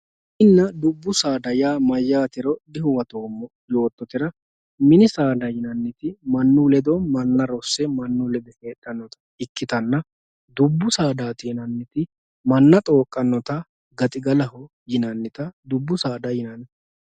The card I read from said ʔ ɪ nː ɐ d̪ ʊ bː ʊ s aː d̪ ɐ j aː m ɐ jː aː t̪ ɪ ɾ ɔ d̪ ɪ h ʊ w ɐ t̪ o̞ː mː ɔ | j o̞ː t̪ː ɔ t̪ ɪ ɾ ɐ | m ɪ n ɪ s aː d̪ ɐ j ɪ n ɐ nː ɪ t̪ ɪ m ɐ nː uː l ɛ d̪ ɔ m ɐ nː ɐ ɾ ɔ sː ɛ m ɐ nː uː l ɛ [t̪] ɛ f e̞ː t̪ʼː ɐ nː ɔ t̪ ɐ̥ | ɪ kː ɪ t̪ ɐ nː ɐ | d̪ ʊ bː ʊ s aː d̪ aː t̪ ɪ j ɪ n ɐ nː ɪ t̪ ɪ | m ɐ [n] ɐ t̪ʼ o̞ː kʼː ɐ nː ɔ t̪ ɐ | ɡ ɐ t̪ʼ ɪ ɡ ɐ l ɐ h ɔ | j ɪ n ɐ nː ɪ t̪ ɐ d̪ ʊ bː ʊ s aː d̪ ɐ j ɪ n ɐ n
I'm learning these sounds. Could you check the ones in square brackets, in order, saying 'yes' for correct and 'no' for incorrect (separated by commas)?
no, no